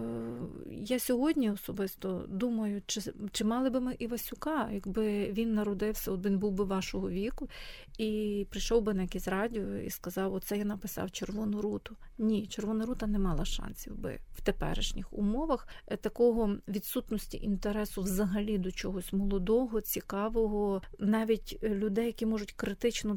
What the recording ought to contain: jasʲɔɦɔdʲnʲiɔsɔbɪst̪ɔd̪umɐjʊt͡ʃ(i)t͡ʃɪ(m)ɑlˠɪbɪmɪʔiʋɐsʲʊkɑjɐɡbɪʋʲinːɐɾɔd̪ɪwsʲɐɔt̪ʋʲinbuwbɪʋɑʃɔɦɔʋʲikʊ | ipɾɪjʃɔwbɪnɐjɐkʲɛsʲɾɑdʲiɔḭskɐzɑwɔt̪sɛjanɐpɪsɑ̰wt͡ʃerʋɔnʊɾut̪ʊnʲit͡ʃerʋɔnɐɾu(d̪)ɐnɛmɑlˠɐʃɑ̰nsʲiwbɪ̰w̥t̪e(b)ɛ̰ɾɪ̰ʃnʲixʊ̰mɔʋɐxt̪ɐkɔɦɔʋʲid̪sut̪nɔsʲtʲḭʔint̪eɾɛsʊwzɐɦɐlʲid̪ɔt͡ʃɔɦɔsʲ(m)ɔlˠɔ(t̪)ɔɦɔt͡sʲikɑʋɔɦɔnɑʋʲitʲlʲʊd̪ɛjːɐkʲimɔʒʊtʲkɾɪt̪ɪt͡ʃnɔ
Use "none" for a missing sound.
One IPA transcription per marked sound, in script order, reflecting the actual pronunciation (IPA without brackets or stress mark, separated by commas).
ɪ, m, t̪, p, m, d̪